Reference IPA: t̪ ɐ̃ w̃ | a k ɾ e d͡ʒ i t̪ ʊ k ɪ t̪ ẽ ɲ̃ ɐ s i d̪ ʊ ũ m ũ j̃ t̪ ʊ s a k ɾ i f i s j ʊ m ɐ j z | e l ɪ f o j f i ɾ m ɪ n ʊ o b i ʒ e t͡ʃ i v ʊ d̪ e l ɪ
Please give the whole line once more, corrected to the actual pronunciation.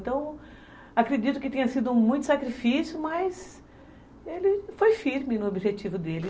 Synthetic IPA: t̪ ɐ̃ w̃ | a k ɾ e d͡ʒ i t̪ ʊ k ɪ t̪ ẽ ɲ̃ ɐ s i d̪ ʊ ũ m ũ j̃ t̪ ʊ s a k ɾ i f i s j ʊ m ɐ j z | e l ɪ f o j f i ɾ m ɪ n ʊ o b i ʒ e t͡ʃ i v ʊ d̪ e l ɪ